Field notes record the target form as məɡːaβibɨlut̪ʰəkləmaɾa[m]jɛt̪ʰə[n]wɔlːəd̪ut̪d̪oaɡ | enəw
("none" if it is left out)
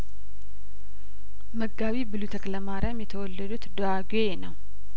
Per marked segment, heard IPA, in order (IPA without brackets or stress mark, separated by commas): m, none